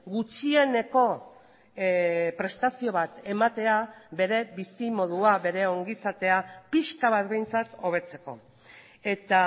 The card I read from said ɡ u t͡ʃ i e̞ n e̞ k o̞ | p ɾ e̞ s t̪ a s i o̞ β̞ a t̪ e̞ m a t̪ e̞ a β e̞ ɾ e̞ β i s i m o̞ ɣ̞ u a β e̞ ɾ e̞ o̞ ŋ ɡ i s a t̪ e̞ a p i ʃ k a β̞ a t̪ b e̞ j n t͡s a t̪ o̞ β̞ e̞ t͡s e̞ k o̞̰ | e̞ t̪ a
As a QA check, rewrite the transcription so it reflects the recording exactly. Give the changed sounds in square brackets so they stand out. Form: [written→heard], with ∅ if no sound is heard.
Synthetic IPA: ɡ u t͡ʃ i e̞ n e̞ k o̞ | p ɾ e̞ s t̪ a s i o̞ β̞ a t̪ e̞ m a t̪ e̞ a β e̞ ɾ e̞ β i s i m o̞ [ɣ̞→ð̞] u a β e̞ ɾ e̞ o̞ ŋ ɡ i s a t̪ e̞ a p i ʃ k a β̞ a t̪ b e̞ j n t͡s a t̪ o̞ β̞ e̞ t͡s e̞ k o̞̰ | e̞ t̪ a